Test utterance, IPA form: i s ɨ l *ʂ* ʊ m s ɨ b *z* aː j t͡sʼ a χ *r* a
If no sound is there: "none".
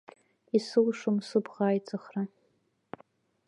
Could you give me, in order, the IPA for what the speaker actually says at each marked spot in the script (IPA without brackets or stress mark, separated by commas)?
ʂ, ʁ, r